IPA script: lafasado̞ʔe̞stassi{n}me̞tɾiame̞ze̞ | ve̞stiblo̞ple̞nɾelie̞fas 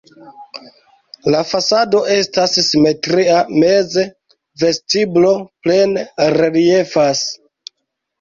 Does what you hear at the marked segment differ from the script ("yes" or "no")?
yes